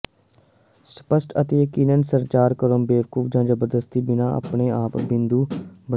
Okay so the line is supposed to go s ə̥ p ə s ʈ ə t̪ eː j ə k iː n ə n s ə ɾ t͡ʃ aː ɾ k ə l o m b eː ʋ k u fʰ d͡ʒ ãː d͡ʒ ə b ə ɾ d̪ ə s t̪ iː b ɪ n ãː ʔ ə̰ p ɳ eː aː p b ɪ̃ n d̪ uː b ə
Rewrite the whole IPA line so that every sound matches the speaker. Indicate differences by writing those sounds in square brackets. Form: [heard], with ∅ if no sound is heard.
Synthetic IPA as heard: s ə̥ p ə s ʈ ə t̪ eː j ə k iː n ə n s ə ɾ t͡ʃ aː ɾ k ə [ɾ] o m b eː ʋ k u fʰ d͡ʒ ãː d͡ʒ ə b ə ɾ d̪ ə s t̪ iː b ɪ n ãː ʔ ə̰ p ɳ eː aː p b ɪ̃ n d̪ uː b ə